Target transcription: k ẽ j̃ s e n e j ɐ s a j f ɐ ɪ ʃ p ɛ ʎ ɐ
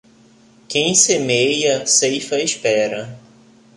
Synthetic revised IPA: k ẽ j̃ s e m e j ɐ s e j f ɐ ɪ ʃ p ɛ ɾ ɐ